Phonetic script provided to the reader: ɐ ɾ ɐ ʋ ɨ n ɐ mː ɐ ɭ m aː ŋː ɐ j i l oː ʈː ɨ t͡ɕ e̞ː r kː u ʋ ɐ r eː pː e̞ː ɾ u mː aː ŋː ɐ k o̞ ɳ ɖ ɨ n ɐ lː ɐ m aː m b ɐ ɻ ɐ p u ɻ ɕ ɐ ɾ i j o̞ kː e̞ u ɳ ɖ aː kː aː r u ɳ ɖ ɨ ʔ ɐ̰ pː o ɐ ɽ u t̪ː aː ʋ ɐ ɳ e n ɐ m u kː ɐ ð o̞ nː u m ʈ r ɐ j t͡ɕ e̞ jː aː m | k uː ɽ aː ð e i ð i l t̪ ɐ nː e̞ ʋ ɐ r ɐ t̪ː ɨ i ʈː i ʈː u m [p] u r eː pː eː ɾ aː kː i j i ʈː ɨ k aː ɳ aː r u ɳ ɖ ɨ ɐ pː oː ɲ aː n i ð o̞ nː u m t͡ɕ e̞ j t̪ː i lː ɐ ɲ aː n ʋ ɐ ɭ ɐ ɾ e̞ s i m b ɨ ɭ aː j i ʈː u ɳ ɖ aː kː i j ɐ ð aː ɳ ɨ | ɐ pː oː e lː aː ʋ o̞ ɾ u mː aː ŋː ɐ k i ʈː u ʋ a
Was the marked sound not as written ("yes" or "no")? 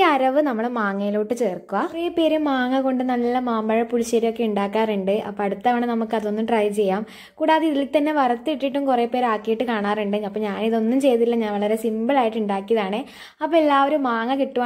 yes